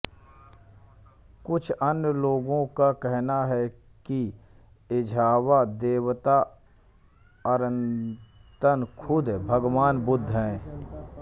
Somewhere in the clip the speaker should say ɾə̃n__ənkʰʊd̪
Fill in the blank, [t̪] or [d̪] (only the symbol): t̪